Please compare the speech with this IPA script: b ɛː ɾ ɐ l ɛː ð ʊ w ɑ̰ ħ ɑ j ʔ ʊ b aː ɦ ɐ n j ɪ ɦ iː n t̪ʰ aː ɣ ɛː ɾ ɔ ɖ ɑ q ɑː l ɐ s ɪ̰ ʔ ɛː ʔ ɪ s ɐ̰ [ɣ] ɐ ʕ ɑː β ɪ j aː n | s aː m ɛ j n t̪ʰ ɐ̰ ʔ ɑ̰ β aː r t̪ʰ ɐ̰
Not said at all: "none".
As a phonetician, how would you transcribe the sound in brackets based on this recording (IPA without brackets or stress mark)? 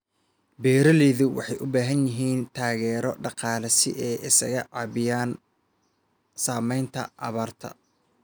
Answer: ɣ